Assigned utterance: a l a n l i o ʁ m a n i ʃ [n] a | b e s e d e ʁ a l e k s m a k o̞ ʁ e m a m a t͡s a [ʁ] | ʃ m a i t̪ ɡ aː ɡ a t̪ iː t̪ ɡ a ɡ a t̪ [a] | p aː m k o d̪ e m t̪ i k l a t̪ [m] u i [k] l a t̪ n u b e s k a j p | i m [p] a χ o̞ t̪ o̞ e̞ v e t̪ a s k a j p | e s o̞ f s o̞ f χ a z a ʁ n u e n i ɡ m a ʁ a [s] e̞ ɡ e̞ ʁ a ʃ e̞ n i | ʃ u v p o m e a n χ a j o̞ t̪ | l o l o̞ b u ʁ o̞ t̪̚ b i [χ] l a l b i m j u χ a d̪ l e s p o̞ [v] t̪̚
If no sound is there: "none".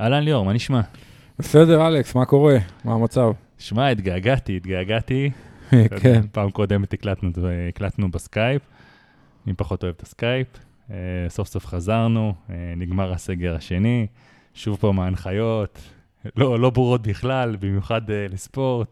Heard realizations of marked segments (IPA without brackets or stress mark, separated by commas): m, v, i, n, k, p, s, χ, ʁ